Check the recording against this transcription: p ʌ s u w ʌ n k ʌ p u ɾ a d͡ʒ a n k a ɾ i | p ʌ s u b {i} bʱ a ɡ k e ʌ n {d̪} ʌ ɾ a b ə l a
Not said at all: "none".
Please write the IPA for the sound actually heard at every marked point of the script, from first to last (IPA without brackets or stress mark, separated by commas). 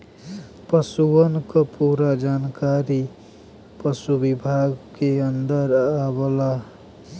i, d̪